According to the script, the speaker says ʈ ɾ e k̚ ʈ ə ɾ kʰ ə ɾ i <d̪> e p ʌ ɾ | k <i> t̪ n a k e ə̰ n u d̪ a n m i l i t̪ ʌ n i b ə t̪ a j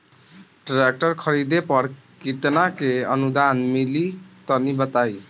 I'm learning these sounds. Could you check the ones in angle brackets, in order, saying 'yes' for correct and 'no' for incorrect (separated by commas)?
yes, yes